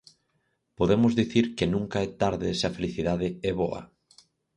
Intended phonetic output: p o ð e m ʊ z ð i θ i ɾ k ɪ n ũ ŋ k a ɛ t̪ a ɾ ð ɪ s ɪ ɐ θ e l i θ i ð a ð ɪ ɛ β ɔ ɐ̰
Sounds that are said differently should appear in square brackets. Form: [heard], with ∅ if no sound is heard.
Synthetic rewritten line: p o ð e m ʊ z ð i θ i ɾ k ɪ n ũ ŋ k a ɛ t̪ a ɾ ð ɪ s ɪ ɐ [f] e l i θ i ð a ð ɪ ɛ β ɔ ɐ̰